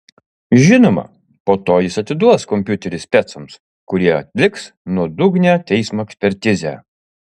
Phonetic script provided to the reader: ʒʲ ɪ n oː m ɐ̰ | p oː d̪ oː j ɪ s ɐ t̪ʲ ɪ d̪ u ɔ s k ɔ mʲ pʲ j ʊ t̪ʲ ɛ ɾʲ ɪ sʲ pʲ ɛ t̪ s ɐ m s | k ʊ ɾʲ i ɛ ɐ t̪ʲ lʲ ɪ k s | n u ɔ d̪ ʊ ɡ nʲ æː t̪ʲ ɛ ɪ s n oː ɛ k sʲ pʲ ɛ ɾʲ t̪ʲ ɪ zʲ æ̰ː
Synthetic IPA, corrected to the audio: ʒʲ ɪ n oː m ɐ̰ | p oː t̪ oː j ɪ s ɐ t̪ʲ ɪ d̪ u ɔ s k ɔ mʲ pʲ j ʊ t̪ʲ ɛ ɾʲ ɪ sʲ pʲ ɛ t̪ s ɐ m s | k ʊ ɾʲ i ɛ ɐ t̪ʲ lʲ ɪ k s | n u ɔ d̪ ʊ ɡ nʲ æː t̪ʲ ɛ ɪ s m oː ɛ k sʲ pʲ ɛ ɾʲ t̪ʲ ɪ zʲ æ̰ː